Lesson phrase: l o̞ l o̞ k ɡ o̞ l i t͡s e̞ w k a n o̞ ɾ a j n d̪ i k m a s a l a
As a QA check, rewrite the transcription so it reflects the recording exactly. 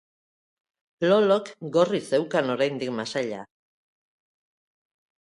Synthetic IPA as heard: l o̞ l o̞ k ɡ o̞ r i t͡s e̞ w k a n o̞ ɾ a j n d̪ i k m a s a ʎ a